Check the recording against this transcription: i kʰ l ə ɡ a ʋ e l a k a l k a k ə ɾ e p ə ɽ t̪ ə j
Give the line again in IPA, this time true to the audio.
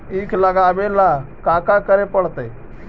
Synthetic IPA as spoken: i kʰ l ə ɡ a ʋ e l a k a k a k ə ɾ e p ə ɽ t̪ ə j